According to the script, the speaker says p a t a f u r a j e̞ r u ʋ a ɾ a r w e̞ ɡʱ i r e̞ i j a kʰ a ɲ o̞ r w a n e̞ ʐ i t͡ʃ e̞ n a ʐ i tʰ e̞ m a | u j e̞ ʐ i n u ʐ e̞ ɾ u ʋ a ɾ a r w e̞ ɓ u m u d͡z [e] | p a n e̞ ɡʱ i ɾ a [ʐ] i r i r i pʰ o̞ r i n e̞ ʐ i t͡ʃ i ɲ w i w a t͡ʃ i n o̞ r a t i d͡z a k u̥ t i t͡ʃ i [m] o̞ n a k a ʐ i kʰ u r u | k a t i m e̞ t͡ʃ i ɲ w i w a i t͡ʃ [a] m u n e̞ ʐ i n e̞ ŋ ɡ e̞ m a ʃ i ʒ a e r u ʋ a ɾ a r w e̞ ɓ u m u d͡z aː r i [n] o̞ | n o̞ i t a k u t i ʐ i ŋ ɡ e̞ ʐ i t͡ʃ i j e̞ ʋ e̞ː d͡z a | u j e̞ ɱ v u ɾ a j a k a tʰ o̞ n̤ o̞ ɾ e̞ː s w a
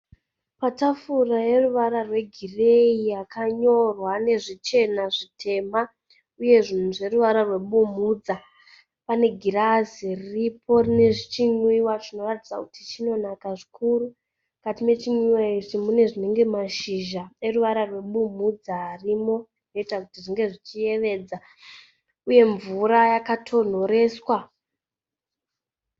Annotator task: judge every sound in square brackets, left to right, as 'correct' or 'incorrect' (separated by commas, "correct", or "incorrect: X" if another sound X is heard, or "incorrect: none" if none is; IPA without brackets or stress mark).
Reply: incorrect: a, incorrect: z, incorrect: n, incorrect: i, incorrect: m